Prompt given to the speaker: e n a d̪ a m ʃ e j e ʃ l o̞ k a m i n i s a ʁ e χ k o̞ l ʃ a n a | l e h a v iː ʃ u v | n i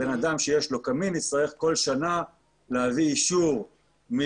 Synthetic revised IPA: e n a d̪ a m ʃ e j e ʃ l o̞ k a m i n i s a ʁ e χ k o̞ l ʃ a n a | l e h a v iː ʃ u ʁ | m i